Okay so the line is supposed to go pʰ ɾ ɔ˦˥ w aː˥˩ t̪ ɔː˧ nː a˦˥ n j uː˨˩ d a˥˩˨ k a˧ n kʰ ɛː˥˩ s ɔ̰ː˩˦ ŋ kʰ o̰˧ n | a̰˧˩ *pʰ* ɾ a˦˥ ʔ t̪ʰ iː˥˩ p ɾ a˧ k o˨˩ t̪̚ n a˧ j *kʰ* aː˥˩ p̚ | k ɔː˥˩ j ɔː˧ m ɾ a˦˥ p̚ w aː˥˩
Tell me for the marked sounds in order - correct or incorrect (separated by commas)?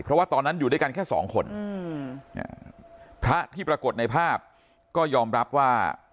correct, incorrect